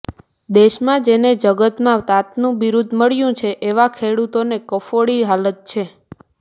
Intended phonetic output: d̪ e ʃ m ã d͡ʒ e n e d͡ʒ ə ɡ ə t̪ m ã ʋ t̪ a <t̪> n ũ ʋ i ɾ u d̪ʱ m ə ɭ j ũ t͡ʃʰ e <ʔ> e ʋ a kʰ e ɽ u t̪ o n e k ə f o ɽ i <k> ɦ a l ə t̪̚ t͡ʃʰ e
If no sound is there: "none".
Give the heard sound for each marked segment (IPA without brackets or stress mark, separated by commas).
t̪, ʔ, none